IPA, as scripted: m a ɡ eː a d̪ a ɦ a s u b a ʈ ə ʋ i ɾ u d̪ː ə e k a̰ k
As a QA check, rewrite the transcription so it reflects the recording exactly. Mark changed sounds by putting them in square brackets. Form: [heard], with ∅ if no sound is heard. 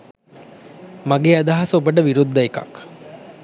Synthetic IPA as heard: m a ɡ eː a d̪ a ɦ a s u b [ə] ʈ ə ʋ i ɾ u d̪ː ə e k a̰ k